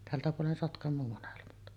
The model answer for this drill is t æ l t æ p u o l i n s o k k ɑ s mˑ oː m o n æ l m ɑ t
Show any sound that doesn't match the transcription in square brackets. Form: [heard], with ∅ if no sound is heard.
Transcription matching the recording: t æ l t æ p u o l [e] n s o [t] k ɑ [∅] mˑ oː m o n [e] l m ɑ t

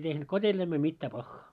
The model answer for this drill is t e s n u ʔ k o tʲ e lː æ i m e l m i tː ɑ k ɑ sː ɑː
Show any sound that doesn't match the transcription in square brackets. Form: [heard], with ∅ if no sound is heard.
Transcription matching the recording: t e [h] n u [t] k o tʲ e lː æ i m e l m i tː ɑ [p] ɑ [xː] ɑː

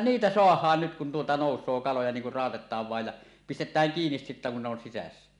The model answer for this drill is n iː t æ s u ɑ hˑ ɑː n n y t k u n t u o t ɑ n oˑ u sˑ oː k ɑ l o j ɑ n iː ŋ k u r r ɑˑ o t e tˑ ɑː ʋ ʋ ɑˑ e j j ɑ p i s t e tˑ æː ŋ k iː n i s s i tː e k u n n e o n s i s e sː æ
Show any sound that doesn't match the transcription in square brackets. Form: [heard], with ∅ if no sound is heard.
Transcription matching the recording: n iː t æ s [o] ɑ hˑ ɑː n n y t k u n t u o t ɑ n oˑ u sˑ oː k ɑ l o j ɑ n iː ŋ k u r r ɑˑ o t e tˑ ɑː ʋ ʋ ɑˑ e j j ɑ p i s t e tˑ æː ŋ k iː n i s s i tː [æ] k u n n e o n s i s [æ] sː æ

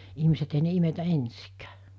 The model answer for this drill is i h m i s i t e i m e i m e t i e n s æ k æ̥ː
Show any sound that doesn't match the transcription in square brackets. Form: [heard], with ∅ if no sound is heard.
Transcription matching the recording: i h m i s [e] t e i [n] e i m e t [æ] e n s [i] k æ̥ː

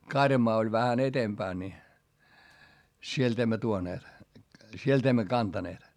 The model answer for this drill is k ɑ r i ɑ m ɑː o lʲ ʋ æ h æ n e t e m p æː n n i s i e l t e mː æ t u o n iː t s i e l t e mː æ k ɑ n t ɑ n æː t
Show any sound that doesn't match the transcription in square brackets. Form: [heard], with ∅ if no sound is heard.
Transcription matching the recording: k ɑ r [j] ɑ m ɑː o lʲ ʋ æ h æ n e t e m p æː n n i s i e l t e mː æ t u o n [eː] t s i e l t e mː æ k ɑ n t ɑ n [eː] t

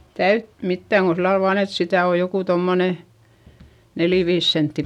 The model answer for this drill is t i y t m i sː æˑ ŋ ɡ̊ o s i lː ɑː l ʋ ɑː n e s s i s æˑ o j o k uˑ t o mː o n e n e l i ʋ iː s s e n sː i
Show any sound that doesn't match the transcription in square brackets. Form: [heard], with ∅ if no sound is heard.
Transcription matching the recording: t [æ] y t m i [tː] æˑ ŋ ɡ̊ o s i lː [ɑ] l ʋ ɑː n e [t] s i [t] æˑ o j o k uˑ t o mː o n e n e l i ʋ iː s s e n [tː] i

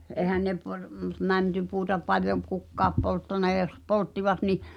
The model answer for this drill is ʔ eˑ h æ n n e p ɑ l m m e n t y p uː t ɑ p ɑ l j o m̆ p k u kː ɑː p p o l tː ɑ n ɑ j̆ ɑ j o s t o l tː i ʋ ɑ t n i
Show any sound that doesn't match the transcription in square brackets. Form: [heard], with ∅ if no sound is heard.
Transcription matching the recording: ʔ eˑ h æ n n e p ɑ [r] m m [æ] n t y p uː t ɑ p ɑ l j o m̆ p k u kː ɑː p p o l tː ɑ n ɑ j̆ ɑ j o s [p] o l tː i ʋ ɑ t n i

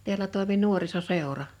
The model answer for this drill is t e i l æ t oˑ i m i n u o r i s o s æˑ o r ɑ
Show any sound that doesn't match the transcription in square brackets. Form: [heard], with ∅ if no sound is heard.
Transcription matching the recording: t e [æ] l æ t oˑ i m i n u o r i s o s [eˑ] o r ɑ

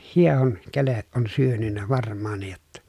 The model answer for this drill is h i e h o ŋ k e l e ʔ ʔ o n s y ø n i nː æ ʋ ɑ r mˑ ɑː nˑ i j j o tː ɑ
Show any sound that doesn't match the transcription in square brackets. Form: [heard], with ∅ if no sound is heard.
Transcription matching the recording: h i e h o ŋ k e l e ʔ ʔ o n s y ø n [y] nː æ ʋ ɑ r mˑ ɑː nˑ i j j o tː ɑ

